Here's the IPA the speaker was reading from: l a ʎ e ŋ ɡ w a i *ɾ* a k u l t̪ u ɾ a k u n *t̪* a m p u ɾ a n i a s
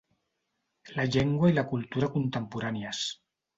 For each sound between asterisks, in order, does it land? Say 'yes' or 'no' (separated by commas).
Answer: no, yes